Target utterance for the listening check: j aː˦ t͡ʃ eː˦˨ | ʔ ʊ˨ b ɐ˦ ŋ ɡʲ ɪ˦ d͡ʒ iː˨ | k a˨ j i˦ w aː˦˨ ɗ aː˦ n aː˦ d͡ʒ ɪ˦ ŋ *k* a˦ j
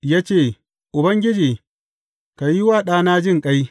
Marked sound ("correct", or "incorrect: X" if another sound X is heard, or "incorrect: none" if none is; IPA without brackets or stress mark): incorrect: kʼ